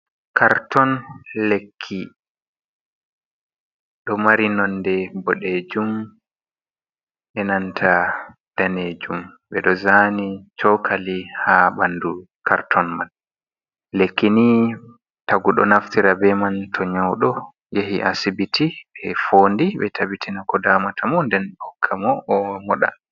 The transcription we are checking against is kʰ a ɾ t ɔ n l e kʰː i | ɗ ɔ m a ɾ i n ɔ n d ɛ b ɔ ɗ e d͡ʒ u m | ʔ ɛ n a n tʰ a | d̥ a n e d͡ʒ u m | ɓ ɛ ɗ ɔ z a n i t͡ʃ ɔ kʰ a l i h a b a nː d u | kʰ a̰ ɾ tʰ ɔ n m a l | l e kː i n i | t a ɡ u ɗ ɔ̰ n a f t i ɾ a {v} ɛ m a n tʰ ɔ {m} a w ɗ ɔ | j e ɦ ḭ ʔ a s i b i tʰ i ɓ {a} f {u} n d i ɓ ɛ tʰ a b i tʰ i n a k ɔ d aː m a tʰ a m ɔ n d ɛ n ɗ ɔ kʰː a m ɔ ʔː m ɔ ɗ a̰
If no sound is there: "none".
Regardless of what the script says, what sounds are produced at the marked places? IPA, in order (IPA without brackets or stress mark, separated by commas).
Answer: b, ɲ, ɛ, o